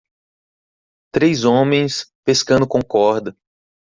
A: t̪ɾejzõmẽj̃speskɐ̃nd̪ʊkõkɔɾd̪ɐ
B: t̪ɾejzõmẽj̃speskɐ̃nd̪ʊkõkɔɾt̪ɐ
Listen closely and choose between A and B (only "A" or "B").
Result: A